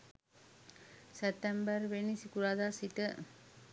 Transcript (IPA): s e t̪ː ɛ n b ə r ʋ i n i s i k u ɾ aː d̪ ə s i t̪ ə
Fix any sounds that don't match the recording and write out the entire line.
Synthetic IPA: s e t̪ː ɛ m b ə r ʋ e n i s i k u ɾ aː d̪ a s i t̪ ə